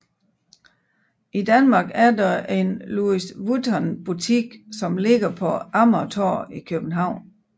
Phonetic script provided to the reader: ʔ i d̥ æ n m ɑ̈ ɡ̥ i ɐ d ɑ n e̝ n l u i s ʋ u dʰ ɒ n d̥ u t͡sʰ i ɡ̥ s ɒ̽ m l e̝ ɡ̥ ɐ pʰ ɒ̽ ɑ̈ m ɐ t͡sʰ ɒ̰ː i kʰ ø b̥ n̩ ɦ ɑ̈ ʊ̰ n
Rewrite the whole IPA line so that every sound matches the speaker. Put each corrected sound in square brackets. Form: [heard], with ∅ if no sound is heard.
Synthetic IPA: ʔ i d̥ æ n m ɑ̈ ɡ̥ [æ] ɐ d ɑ [∅] e̝ n l u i s ʋ u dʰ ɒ n [b̥] u t͡sʰ i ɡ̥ s ɒ̽ m l e̝ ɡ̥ ɐ pʰ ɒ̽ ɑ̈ m ɐ t͡sʰ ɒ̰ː i kʰ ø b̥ n̩ ɦ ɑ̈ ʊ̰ n